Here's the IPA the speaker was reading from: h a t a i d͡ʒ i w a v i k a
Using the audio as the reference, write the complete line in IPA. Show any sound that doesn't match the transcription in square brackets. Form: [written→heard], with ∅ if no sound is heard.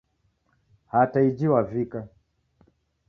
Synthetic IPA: h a t a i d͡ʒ i w a v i k a